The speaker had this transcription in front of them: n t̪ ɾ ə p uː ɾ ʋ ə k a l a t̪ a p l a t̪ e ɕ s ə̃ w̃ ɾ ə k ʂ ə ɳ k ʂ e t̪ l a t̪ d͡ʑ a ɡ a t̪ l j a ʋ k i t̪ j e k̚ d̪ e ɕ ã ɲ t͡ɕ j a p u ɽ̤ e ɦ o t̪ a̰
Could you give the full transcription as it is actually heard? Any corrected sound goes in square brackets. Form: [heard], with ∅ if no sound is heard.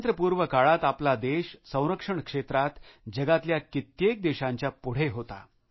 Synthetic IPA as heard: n t̪ ɾ ə p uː ɾ ʋ ə k a [ɭ] a t̪ a p l a [d̪] e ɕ s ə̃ w̃ ɾ ə k ʂ ə ɳ k ʂ e t̪ [ɾ] a t̪ d͡ʑ [ə] ɡ a t̪ l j a [∅] k i t̪ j e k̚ d̪ e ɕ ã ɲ t͡ɕ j a p u ɽ̤ e ɦ o t̪ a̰